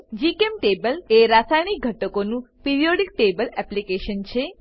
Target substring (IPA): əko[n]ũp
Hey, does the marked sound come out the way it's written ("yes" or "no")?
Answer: yes